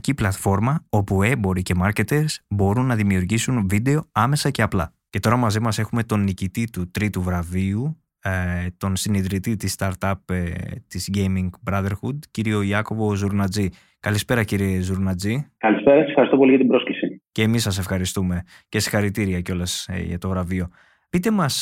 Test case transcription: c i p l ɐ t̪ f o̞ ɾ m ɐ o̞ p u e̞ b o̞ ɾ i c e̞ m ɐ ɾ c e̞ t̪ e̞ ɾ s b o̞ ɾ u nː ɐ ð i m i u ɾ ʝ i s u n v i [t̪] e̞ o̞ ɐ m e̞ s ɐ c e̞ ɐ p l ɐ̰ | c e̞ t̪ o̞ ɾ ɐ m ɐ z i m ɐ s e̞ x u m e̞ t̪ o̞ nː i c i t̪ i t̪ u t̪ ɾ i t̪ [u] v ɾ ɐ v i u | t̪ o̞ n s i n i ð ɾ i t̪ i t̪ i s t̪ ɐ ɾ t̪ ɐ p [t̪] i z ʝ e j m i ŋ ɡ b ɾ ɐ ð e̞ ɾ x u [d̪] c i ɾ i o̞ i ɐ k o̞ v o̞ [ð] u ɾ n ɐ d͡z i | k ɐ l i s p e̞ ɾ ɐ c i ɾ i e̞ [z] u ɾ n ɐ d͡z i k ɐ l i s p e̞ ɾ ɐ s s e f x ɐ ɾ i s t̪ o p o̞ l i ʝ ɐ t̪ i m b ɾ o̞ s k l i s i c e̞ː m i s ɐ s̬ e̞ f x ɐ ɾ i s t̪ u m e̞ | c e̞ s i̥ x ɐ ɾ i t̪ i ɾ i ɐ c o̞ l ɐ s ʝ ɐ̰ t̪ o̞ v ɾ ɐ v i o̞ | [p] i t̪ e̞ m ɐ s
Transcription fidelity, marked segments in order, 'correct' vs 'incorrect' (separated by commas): incorrect, correct, correct, correct, incorrect, correct, correct